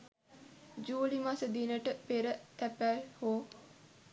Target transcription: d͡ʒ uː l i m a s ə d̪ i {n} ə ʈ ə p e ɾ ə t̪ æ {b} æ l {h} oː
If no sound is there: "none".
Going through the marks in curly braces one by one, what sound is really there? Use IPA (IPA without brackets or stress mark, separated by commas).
n, p, h